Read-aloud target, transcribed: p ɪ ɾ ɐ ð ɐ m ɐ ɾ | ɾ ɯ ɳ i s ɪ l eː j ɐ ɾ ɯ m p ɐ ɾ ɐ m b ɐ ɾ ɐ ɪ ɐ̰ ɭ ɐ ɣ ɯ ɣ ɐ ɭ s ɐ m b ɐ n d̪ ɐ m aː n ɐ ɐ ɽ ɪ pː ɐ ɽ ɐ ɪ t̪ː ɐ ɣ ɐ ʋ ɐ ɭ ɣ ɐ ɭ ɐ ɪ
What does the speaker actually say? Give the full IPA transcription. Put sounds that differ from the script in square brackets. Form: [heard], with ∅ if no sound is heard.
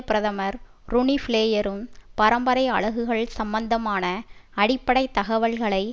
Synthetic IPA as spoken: p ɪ ɾ ɐ ð ɐ m ɐ ɾ | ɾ [ʊ] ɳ i [f] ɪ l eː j ɐ ɾ ɯ m p ɐ ɾ ɐ m b ɐ ɾ ɐ ɪ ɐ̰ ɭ ɐ ɣ ɯ ɣ ɐ ɭ s ɐ m b ɐ n d̪ ɐ m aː n ɐ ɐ ɽ ɪ pː ɐ ɽ ɐ ɪ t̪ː ɐ ɣ ɐ ʋ ɐ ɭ ɣ ɐ ɭ ɐ ɪ